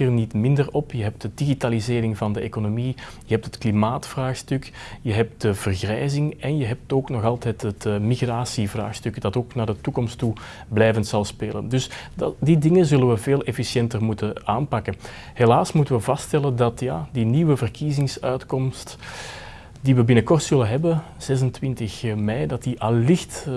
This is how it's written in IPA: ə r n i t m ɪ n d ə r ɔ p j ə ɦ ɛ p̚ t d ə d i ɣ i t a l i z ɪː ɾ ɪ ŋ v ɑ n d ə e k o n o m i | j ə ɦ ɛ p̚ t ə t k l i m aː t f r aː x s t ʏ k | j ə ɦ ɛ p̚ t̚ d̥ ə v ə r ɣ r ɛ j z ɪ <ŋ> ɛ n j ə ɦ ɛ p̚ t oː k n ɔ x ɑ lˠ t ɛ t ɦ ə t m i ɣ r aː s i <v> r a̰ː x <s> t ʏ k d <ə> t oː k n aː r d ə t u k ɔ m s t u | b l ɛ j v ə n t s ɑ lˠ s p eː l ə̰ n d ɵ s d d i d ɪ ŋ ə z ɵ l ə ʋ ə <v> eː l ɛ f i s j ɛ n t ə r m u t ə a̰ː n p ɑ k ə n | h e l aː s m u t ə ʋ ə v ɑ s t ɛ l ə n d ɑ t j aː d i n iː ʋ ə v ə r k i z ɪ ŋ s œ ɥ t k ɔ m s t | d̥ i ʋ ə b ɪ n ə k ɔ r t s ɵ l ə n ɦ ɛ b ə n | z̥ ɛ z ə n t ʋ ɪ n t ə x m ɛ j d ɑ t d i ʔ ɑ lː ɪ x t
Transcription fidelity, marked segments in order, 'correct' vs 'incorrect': correct, correct, correct, incorrect, correct

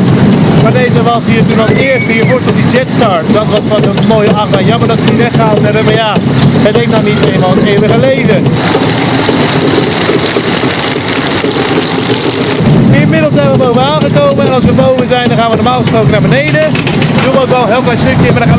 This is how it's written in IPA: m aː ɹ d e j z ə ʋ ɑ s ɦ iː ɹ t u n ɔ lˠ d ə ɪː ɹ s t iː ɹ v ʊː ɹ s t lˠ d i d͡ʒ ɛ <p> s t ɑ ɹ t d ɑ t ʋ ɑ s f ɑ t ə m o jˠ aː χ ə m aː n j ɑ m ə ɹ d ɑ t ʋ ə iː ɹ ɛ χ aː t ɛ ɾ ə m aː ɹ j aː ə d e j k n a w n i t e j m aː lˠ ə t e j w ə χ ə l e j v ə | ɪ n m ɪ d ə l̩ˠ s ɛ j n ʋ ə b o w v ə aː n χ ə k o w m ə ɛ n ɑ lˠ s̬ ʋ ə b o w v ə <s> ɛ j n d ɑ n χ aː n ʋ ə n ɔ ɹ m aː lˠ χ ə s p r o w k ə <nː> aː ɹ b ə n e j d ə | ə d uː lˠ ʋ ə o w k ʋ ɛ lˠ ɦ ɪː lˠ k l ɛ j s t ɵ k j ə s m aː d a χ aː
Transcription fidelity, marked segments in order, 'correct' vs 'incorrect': incorrect, incorrect, incorrect

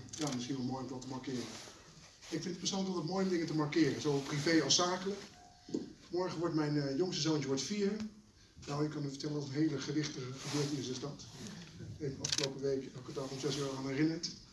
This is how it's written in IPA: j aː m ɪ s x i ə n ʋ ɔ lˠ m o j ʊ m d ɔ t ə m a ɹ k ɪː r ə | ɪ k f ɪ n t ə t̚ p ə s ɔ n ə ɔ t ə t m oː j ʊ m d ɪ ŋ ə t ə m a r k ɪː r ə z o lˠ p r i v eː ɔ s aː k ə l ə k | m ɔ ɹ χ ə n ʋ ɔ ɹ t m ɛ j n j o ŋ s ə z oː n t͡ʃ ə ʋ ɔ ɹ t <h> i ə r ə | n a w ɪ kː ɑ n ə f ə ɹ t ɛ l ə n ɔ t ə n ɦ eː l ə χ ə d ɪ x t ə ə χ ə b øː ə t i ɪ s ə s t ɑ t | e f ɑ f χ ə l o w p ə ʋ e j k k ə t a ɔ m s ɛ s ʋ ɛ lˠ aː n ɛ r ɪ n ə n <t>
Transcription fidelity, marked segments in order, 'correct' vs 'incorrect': incorrect, correct

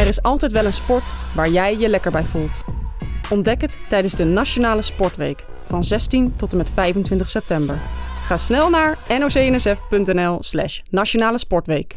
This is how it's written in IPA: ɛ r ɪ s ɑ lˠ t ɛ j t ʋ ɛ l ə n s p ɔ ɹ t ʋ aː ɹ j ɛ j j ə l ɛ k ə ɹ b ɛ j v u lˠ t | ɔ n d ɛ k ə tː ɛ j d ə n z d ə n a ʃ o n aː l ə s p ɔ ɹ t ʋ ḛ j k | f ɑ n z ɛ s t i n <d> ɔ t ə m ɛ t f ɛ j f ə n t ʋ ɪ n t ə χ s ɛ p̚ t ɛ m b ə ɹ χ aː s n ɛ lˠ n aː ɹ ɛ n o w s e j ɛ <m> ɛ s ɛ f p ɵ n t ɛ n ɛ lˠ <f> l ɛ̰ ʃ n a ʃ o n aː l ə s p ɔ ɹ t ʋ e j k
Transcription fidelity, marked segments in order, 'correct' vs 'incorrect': incorrect, incorrect, incorrect

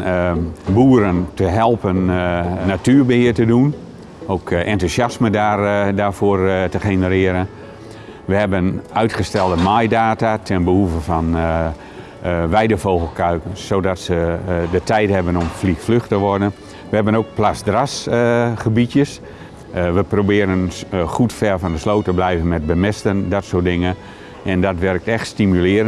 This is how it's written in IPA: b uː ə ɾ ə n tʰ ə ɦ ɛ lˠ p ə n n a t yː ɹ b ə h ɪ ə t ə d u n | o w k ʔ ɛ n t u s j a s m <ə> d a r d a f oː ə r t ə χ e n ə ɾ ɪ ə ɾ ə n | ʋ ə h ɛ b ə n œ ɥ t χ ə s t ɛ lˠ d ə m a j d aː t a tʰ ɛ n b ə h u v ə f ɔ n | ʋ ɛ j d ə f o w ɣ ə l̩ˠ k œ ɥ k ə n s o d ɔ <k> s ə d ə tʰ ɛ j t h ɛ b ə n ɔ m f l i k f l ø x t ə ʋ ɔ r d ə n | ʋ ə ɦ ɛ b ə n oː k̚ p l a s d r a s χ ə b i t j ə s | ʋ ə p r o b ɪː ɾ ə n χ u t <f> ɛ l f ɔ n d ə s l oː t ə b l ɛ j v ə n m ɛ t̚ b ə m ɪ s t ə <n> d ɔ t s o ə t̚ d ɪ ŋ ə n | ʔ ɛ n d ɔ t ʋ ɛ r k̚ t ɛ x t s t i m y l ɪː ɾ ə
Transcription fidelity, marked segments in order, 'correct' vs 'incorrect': correct, incorrect, correct, correct

